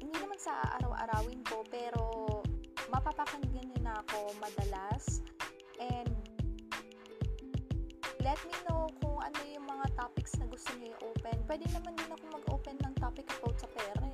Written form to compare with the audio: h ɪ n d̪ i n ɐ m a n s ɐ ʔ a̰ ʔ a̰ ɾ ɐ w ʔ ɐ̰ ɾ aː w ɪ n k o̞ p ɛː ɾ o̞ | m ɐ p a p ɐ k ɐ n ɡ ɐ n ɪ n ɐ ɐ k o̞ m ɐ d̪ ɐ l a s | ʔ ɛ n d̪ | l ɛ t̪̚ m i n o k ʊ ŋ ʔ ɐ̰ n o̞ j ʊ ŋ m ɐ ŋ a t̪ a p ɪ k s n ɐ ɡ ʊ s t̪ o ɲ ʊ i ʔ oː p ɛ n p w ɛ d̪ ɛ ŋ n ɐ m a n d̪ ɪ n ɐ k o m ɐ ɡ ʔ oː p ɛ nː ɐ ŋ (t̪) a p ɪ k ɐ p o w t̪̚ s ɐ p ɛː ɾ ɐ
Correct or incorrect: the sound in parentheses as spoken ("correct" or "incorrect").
correct